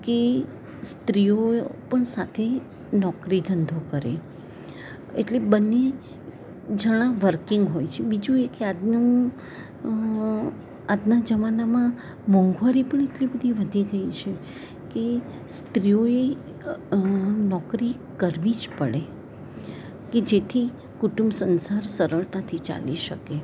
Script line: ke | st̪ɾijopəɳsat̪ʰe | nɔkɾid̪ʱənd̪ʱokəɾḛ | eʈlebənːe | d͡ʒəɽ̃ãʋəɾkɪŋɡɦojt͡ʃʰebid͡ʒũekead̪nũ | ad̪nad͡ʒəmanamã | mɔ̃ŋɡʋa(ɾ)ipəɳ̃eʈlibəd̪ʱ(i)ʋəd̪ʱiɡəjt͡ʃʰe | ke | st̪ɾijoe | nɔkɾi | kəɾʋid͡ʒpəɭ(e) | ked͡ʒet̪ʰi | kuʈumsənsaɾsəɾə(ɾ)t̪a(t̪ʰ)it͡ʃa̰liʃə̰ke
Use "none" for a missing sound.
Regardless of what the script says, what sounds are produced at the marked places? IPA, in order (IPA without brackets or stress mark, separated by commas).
ɾ, i, e, ɭ, t̪ʰ